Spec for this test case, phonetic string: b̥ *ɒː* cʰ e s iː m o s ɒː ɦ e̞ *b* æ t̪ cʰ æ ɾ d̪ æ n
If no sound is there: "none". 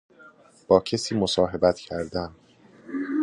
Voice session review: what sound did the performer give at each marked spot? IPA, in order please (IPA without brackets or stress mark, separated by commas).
ɒː, b